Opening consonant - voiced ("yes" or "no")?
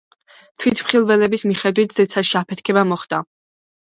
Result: no